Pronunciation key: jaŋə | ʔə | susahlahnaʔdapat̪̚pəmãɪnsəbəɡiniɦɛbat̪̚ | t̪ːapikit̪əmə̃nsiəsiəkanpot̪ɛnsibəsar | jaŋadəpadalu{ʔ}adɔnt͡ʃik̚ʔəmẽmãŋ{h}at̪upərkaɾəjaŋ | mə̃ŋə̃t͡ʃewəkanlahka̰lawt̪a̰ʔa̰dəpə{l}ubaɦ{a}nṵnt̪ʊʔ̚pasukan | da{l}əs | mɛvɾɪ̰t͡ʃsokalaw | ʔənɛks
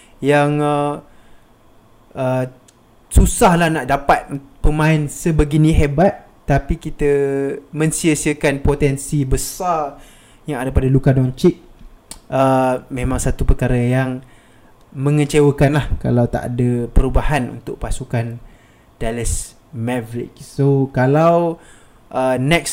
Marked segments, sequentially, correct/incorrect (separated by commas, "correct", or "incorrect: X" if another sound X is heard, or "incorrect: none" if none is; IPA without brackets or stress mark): incorrect: k, incorrect: s, incorrect: ɾ, correct, correct